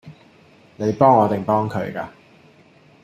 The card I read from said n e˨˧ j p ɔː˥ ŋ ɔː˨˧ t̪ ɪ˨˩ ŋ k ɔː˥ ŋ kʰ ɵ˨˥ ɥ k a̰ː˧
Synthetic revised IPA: n e˨˧ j p ɔː˥ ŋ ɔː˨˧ t̪ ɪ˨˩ ŋ p ɔː˥ ŋ kʰ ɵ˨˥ ɥ k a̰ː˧